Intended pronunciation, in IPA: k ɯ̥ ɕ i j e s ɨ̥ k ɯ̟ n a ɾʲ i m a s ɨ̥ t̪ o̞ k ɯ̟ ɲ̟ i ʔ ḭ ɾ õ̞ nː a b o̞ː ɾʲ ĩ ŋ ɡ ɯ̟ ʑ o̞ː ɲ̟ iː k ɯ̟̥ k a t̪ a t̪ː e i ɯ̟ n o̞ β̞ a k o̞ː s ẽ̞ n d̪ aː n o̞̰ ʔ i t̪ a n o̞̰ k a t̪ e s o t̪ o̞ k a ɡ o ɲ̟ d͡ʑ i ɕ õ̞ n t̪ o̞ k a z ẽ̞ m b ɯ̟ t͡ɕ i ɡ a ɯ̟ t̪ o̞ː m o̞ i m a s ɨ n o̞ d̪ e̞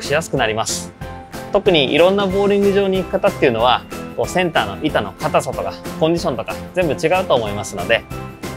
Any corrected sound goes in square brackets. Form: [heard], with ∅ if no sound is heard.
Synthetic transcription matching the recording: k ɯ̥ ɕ i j [a] s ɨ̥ k ɯ̟ n a ɾʲ i m a s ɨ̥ t̪ o̞ k ɯ̟ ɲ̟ i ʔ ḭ ɾ õ̞ nː a b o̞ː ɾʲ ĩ ŋ ɡ ɯ̟ ʑ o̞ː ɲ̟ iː k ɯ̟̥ k a t̪ a t̪ː e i ɯ̟ n o̞ β̞ a k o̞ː s ẽ̞ n [t̪] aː n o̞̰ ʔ i t̪ a n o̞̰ k a t̪ [a] s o t̪ o̞ k a [k] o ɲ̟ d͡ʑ i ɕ õ̞ n t̪ o̞ k a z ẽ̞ m b ɯ̟ t͡ɕ i ɡ a ɯ̟ t̪ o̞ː m o̞ i m a s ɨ n o̞ d̪ e̞